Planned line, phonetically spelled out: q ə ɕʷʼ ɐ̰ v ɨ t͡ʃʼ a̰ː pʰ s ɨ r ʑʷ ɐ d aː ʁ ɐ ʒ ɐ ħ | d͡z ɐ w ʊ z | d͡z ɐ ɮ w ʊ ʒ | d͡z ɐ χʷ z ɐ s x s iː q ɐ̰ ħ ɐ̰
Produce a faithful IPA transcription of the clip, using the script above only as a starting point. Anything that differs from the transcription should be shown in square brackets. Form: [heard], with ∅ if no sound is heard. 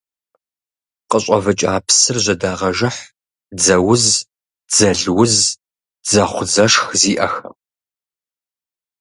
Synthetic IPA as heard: q ə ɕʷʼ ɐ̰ v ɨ t͡ʃʼ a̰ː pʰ s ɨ r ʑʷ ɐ d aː ʁ ɐ ʒ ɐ ħ | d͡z ɐ w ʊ z | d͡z ɐ ɮ w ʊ [z] | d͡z ɐ χʷ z ɐ [ʂ] x [z] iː [ʔ] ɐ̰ [x] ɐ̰